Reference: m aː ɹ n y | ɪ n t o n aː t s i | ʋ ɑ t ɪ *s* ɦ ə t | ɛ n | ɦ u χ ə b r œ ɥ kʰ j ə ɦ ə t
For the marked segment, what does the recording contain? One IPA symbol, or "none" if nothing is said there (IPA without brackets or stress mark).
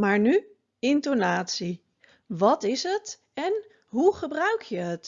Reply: s